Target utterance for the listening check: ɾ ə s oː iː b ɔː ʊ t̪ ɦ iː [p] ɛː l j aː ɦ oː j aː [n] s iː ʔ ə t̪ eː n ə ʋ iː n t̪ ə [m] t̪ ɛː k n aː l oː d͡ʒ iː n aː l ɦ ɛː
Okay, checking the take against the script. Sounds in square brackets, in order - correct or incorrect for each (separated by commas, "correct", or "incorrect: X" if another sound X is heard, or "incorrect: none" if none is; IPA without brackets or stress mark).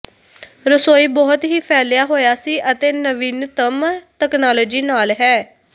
incorrect: pʰ, incorrect: none, correct